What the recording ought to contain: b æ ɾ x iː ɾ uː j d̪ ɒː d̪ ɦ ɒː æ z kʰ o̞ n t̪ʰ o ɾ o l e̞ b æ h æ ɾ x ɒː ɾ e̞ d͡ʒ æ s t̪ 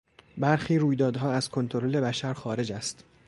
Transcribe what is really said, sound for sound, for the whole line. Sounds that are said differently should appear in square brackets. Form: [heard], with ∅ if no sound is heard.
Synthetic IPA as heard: b æ ɾ x iː ɾ uː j d̪ ɒː d̪ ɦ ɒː æ z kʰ o̞ n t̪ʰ o ɾ o l e̞ b æ [ʃ] æ ɾ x ɒː ɾ e̞ d͡ʒ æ s t̪